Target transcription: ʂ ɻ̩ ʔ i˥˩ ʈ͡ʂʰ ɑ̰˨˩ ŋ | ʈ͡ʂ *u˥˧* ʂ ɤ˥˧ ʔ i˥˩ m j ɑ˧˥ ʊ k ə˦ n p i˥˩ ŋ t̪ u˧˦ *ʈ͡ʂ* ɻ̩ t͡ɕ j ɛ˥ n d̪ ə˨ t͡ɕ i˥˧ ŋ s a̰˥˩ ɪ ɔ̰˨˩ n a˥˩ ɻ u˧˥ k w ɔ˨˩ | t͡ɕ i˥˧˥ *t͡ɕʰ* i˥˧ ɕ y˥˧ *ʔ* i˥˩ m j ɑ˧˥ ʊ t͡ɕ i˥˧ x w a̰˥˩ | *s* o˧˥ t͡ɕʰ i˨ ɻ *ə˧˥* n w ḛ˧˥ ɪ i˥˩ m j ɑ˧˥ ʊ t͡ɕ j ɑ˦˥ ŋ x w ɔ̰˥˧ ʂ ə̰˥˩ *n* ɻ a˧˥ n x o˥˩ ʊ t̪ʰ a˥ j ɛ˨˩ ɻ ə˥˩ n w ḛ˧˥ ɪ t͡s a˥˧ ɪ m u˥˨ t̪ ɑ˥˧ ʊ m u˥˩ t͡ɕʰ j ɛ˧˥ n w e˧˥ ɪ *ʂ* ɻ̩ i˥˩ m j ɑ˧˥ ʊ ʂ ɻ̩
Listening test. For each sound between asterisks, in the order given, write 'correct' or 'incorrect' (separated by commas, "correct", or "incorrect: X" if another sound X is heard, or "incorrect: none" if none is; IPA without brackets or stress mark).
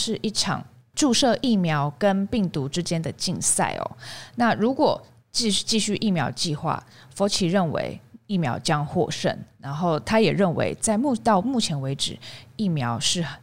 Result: correct, correct, incorrect: t͡ɕ, correct, incorrect: f, incorrect: ə˥˩, correct, incorrect: ʈ͡ʂ